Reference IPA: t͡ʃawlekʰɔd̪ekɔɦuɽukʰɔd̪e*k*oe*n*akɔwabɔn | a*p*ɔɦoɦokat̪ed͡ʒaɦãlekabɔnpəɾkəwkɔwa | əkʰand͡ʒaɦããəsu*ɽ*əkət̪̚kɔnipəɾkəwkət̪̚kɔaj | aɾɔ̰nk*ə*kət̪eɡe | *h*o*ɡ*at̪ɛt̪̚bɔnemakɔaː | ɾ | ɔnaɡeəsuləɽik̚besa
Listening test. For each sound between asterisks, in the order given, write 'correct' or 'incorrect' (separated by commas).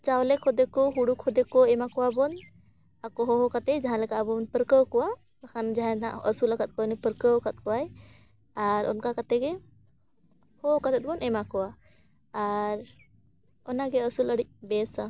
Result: correct, incorrect, incorrect, incorrect, incorrect, correct, incorrect